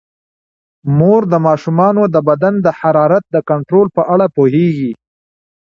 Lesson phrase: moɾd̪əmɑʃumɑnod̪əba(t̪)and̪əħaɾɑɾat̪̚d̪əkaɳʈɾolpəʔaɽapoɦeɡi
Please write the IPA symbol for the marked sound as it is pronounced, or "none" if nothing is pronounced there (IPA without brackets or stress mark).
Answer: d̪